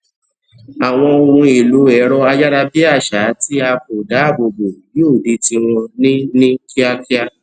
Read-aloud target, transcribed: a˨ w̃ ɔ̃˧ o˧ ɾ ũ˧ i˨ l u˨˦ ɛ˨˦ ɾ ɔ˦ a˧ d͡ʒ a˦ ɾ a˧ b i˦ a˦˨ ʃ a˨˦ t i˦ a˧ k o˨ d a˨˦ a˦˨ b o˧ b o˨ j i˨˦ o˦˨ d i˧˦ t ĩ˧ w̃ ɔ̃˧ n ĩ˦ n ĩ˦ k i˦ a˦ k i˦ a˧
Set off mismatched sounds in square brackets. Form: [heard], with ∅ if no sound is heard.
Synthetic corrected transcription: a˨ w̃ ɔ̃˧ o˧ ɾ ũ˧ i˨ l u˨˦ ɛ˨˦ ɾ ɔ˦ a˧ d͡ʒ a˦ ɾ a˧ b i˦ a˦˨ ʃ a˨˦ t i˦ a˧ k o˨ d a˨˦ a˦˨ b o˧ b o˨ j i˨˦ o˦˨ d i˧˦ t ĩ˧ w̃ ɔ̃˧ n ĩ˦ n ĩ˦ k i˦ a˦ k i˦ a˧

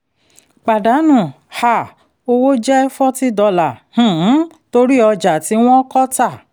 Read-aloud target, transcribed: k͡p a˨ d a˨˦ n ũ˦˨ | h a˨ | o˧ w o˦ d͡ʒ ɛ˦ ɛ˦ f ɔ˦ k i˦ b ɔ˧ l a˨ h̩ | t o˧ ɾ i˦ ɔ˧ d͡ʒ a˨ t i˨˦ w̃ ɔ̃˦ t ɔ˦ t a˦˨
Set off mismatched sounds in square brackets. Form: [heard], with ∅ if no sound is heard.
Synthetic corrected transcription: k͡p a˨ d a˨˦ n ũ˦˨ | h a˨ | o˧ w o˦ d͡ʒ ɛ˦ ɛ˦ f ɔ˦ [t] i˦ [d] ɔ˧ l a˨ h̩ | t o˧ ɾ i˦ ɔ˧ d͡ʒ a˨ t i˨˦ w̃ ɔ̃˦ [k] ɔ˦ t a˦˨

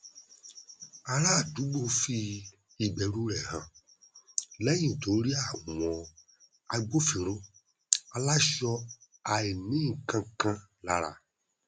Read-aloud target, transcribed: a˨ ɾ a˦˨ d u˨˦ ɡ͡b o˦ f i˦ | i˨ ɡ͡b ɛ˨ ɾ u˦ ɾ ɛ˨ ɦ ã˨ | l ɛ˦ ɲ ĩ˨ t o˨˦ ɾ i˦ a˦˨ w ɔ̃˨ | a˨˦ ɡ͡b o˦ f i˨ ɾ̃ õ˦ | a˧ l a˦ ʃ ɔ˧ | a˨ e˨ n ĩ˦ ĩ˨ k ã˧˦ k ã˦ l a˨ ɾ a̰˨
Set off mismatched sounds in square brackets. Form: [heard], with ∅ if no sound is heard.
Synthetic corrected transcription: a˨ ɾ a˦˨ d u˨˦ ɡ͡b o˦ f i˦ | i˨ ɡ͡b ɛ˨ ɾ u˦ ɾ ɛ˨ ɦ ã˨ | l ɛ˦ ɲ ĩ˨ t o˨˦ ɾ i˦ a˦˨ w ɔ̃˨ | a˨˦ ɡ͡b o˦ f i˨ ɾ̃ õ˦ | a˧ l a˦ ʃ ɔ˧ | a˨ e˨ n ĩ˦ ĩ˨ k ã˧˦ k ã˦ l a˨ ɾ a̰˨

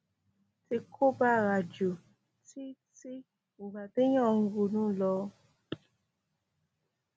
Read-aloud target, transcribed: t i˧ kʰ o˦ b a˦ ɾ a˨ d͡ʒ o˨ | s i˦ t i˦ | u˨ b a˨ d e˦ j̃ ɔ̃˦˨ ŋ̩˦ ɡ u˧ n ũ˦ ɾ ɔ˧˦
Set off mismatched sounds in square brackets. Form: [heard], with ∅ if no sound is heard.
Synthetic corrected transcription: t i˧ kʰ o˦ b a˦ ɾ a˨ d͡ʒ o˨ | [t] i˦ t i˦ | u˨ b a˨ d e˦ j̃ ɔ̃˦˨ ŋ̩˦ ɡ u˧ n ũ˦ [l] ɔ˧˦

